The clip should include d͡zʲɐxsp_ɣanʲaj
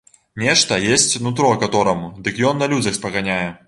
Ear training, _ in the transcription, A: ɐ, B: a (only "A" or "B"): A